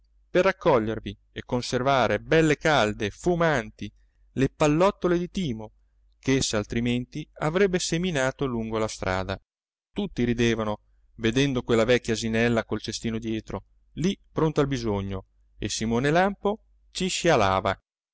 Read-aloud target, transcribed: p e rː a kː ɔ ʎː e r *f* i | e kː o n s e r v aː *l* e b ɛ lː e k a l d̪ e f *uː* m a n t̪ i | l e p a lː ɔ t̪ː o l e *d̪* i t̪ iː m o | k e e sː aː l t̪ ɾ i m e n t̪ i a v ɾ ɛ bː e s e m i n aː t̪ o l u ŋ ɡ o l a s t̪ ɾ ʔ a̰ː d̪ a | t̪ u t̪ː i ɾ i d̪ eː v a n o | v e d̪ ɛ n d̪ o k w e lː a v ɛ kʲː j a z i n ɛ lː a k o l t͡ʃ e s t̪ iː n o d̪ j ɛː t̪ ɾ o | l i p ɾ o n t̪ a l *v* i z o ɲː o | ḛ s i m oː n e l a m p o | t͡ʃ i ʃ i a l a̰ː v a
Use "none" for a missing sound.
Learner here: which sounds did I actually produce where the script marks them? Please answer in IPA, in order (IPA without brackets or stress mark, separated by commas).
v, ɾ, u, d̪, b